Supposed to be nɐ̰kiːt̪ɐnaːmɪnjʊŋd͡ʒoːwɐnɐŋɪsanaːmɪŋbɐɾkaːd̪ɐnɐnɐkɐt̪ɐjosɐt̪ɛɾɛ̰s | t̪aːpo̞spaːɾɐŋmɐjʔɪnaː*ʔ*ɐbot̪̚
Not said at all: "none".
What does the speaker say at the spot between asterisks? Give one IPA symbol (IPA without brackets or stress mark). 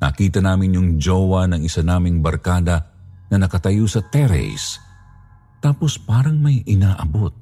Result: ʔ